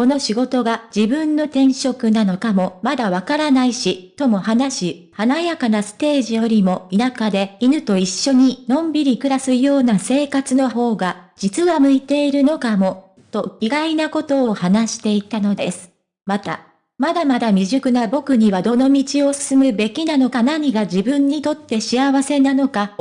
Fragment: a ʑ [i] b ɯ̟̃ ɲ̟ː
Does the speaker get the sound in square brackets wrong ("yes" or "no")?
no